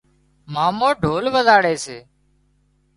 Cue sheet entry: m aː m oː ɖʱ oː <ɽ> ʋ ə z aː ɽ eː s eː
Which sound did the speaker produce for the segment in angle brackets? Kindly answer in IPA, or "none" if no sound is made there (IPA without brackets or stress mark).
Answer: l